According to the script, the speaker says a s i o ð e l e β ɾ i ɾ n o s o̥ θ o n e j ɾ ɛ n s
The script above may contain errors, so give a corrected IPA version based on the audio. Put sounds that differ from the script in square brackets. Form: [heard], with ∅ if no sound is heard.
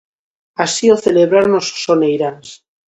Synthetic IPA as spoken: a s i o [θ] e l e β ɾ [a] ɾ n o s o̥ [s] o n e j ɾ [a] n s